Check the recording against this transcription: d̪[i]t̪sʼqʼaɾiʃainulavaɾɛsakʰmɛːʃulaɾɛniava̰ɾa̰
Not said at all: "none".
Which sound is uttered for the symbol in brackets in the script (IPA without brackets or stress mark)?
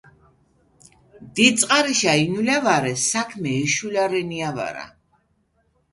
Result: i